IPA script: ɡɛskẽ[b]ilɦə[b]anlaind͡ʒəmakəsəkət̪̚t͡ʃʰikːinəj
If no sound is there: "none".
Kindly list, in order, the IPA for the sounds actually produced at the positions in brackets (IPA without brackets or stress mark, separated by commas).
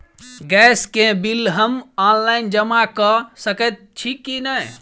b, m